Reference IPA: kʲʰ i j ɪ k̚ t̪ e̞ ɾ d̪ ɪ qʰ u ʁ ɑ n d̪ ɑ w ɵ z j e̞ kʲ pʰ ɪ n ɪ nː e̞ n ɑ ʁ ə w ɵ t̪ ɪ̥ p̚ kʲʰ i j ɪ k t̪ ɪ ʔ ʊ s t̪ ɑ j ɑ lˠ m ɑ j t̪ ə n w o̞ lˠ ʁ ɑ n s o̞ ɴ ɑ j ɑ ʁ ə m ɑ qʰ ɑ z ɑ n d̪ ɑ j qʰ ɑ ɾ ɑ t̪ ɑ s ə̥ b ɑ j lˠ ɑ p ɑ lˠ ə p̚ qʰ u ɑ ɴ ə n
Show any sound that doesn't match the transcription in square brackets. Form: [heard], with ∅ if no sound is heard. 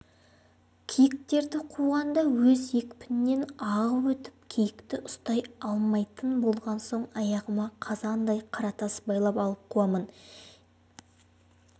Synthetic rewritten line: kʲʰ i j ɪ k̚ t̪ e̞ ɾ d̪ ɪ qʰ u ʁ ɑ n d̪ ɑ w ɵ z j e̞ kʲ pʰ ɪ n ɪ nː e̞ n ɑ ʁ ə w ɵ t̪ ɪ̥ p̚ kʲʰ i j ɪ k t̪ ɪ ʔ ʊ s t̪ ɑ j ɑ lˠ m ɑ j t̪ ə n [b] o̞ lˠ ʁ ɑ n s o̞ ɴ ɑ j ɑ ʁ ə m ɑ qʰ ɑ z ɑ n d̪ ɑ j qʰ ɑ ɾ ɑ t̪ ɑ s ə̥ b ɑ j lˠ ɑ p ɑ lˠ ə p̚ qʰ u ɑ [m] ə n